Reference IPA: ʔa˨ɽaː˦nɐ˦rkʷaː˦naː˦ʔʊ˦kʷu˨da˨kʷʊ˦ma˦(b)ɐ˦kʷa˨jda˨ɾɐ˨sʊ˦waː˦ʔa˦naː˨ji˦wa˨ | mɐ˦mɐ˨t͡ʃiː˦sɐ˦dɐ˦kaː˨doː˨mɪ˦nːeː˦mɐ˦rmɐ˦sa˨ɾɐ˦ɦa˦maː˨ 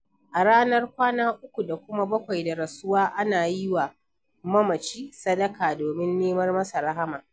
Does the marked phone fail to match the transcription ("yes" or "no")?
no